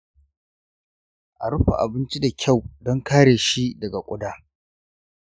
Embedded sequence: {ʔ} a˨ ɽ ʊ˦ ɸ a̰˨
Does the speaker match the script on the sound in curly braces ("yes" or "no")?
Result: yes